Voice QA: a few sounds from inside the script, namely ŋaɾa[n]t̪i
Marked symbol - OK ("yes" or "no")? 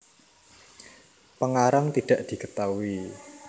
no